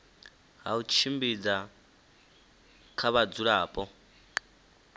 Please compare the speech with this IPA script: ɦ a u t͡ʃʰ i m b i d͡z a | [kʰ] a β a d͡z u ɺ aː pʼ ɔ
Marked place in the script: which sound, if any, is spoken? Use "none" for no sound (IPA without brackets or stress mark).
kʰ